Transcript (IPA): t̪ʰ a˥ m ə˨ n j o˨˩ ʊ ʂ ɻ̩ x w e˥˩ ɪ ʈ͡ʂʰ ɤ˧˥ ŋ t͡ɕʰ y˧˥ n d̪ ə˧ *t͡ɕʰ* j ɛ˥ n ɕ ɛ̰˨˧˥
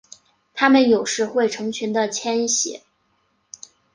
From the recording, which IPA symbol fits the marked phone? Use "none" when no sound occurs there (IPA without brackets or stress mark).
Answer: t͡ɕʰ